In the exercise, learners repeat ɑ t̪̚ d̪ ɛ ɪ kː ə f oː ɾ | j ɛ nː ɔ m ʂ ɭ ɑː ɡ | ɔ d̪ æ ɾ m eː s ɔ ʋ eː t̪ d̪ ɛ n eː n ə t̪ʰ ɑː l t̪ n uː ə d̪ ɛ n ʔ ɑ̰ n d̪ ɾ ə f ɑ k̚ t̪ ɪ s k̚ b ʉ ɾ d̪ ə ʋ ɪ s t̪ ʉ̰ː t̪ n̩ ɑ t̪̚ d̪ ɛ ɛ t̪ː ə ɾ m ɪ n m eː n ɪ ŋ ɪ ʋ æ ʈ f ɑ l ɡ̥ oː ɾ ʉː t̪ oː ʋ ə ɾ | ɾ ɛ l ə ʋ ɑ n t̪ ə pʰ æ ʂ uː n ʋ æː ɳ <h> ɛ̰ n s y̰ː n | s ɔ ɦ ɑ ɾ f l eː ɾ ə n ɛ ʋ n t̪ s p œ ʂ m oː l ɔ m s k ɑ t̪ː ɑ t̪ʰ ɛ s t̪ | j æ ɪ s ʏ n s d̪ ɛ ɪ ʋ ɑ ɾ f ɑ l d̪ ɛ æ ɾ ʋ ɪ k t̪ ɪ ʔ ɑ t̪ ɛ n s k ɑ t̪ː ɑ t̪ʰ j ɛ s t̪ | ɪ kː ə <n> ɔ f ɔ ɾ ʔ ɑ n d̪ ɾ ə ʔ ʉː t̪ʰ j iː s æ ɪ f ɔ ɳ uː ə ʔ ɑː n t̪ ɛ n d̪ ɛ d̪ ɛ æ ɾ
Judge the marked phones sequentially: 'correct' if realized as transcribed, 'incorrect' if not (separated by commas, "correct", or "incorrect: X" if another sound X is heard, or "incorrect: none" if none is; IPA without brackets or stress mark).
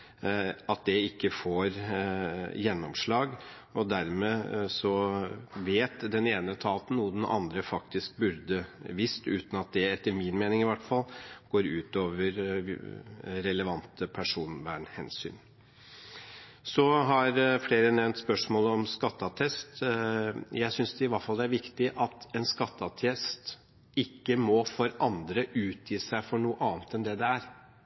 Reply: correct, incorrect: m